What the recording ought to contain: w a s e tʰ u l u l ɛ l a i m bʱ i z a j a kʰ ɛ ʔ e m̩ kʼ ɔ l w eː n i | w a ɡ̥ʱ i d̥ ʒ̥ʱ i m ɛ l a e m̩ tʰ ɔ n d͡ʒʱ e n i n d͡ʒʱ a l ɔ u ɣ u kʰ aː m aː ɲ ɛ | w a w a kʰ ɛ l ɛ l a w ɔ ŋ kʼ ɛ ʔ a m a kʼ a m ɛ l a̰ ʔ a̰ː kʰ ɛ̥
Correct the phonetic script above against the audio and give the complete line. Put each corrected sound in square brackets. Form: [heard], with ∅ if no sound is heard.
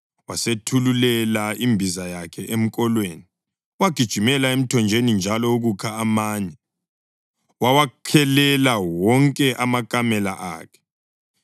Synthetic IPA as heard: w a s e tʰ u l u l ɛ l a i m bʱ i z a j a kʰ ɛ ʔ e m̩ kʼ ɔ l w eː n i | w a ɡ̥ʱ i d̥ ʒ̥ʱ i m ɛ l a e m̩ tʰ ɔ n d͡ʒʱ e n i n d͡ʒʱ a l ɔ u ɣ u kʰ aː m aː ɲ ɛ | w a w a kʰ ɛ l ɛ l a w ɔ ŋ kʼ ɛ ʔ a m a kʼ a m ɛ l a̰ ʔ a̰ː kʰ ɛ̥